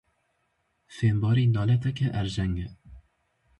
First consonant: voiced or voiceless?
voiceless